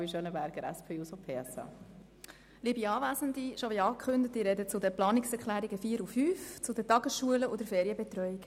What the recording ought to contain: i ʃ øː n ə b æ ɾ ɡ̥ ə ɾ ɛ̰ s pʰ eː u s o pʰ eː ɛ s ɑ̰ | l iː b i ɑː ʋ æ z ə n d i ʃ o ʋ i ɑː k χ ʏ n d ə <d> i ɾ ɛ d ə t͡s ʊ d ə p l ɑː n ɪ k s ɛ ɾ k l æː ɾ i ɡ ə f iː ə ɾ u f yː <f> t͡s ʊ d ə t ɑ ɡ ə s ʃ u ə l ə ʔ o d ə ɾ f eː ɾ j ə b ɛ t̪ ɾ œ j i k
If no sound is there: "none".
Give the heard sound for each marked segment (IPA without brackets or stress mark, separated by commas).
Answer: t, f